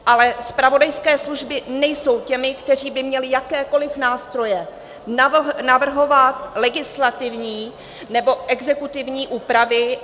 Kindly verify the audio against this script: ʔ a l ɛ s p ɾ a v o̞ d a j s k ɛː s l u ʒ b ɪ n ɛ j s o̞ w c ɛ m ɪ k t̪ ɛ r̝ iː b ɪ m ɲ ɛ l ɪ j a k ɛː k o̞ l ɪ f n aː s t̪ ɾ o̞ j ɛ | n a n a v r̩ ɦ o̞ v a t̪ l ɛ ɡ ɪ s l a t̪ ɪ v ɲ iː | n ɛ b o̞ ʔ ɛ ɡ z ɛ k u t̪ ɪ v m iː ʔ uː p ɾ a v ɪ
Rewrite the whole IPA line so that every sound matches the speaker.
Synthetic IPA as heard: ʔ a l ɛ s p ɾ a v o̞ d a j s k ɛː s l u ʒ b ɪ n ɛ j s o̞ w c ɛ m ɪ k t̪ ɛ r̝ iː b ɪ m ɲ ɛ l ɪ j a k ɛː k o̞ l ɪ f n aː s t̪ ɾ o̞ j ɛ | n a n a v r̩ ɦ o̞ v a t̪ l ɛ ɡ ɪ s l a t̪ ɪ v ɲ iː | n ɛ b o̞ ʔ ɛ ɡ z ɛ k u t̪ ɪ v ɲ iː ʔ uː p ɾ a v ɪ